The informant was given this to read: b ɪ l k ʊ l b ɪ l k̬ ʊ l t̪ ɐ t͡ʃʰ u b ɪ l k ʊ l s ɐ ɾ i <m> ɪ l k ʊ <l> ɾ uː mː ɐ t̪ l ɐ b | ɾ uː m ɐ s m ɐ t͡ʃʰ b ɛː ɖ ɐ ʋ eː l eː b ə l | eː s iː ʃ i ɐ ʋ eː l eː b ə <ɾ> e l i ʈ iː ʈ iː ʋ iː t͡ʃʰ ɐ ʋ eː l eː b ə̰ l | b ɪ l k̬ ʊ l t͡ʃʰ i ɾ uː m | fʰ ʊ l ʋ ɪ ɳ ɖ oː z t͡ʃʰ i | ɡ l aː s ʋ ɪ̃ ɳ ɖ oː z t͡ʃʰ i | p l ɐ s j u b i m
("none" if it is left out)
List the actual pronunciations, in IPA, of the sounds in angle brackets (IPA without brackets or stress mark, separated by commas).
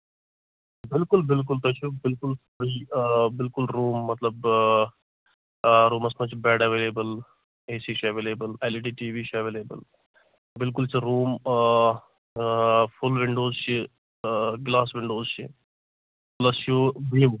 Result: b, l, l